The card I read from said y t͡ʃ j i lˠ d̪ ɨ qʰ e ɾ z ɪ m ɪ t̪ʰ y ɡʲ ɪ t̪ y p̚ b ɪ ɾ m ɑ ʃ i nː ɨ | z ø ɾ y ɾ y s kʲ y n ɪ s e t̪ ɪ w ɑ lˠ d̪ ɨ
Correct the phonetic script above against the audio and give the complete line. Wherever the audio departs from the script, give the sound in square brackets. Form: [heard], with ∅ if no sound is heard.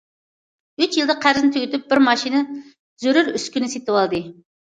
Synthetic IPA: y t͡ʃ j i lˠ d̪ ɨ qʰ [æ] ɾ z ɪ [n] ɪ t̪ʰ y ɡʲ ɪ t̪ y p̚ b ɪ ɾ m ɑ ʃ i [n] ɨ | z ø ɾ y ɾ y s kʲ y n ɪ s e t̪ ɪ w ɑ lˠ d̪ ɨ